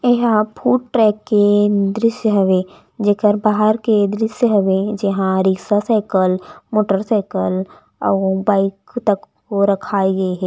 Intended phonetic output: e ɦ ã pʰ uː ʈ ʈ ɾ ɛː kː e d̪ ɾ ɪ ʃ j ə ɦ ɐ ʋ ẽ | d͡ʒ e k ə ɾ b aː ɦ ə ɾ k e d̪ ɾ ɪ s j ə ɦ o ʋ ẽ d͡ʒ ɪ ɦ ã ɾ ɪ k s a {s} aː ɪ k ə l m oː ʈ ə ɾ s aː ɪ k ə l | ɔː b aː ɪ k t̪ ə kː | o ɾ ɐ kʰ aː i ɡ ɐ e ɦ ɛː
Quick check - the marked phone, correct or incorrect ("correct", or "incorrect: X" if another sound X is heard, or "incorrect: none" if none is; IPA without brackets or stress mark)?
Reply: correct